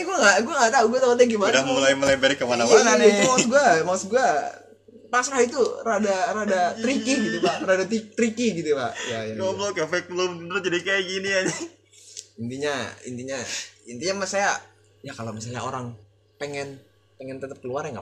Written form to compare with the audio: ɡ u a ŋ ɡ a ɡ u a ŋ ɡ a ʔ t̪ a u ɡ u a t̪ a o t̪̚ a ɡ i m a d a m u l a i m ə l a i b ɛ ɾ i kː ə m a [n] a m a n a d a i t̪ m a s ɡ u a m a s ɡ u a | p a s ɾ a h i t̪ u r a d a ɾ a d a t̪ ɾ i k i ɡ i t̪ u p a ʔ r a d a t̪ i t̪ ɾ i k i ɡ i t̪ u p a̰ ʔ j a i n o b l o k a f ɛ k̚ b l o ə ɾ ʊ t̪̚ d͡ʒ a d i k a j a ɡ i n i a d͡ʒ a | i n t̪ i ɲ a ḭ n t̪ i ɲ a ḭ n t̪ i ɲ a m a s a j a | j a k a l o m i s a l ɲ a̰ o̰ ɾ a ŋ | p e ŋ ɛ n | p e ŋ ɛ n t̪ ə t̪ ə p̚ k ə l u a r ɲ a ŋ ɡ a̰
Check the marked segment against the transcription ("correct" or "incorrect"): correct